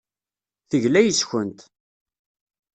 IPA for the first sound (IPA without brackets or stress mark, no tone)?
θ